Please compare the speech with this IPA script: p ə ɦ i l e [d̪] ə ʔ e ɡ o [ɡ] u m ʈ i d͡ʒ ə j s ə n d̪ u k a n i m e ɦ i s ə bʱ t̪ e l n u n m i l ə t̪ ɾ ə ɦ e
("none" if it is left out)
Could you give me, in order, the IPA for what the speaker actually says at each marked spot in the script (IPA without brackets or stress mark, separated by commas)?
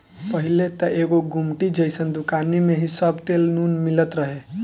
t̪, ɡ